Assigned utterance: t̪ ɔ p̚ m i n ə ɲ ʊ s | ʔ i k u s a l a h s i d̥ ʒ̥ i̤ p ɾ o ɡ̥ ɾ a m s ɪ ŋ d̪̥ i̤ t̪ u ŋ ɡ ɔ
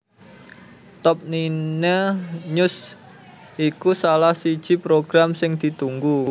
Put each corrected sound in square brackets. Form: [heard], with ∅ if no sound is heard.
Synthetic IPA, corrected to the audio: t̪ ɔ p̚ [n] i n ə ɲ ʊ s | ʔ i k u s a l a h s i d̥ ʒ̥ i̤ p ɾ o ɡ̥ ɾ a m s ɪ ŋ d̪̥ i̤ t̪ u ŋ ɡ [u]